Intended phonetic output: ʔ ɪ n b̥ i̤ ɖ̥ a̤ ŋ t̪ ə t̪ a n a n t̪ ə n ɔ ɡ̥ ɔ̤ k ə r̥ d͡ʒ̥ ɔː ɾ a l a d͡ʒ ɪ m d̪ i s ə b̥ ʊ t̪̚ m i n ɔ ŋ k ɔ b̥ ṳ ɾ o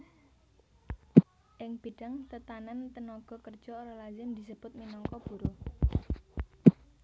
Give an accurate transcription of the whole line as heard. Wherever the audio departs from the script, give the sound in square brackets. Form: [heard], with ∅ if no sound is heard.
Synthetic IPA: ʔ ɪ [ŋ] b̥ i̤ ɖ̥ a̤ ŋ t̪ ə t̪ a n a n t̪ ə n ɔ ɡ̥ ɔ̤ k ə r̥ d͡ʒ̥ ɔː ɾ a l a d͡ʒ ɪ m d̪ i s ə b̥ ʊ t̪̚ m i n ɔ ŋ k ɔ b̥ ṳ ɾ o